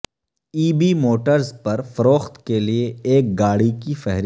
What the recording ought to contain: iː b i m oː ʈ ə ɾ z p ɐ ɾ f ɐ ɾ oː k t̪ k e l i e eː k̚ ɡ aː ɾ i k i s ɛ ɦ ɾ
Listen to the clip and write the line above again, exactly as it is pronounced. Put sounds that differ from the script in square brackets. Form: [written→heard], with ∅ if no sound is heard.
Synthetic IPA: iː b i m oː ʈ ə ɾ z p ɐ ɾ f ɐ ɾ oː [k→x] t̪ k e l i e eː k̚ ɡ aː [ɾ→ɽ] i k i [s→f] ɛ ɦ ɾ